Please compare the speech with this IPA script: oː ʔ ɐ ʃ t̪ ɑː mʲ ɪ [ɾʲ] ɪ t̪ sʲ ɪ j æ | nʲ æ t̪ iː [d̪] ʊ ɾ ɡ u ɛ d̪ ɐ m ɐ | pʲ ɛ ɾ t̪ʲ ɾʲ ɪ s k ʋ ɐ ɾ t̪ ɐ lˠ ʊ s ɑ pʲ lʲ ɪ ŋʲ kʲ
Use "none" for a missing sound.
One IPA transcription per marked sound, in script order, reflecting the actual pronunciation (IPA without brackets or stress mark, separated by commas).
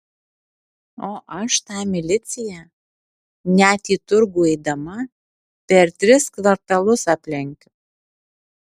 lʲ, t̪